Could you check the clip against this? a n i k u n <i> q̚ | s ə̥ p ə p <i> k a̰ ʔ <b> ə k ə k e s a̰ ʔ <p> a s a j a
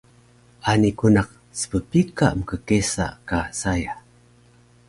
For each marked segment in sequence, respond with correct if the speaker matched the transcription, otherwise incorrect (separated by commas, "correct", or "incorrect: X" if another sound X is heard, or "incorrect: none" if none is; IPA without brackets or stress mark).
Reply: incorrect: a, correct, incorrect: m, incorrect: k